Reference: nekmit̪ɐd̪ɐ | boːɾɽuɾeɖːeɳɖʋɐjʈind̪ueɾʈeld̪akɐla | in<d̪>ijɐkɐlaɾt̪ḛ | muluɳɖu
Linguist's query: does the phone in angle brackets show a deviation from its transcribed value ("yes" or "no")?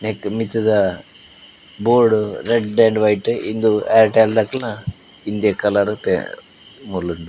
no